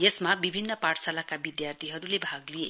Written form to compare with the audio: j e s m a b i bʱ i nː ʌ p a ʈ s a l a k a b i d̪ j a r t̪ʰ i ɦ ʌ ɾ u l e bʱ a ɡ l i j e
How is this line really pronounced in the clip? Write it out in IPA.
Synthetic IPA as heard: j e s m a b i bʱ i nː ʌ p a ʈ s a l a k a b i d̪ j a r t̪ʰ i ɦ ʌ ɾ u l e bʱ a ɡ l i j e